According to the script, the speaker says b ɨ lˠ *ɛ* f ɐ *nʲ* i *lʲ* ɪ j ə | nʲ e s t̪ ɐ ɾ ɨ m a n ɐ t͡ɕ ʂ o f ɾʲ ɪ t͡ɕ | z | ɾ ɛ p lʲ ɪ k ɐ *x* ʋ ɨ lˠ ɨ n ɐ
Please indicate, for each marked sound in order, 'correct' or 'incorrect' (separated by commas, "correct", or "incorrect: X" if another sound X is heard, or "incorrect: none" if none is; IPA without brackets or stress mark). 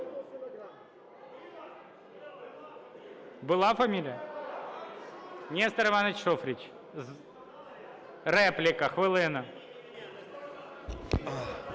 incorrect: a, incorrect: mʲ, correct, correct